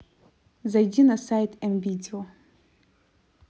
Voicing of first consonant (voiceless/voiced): voiced